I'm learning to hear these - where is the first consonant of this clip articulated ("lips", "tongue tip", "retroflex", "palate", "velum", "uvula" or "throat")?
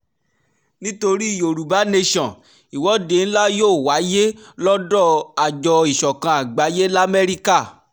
tongue tip